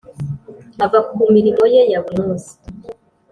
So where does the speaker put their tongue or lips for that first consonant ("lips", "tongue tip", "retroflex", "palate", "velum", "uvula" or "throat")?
lips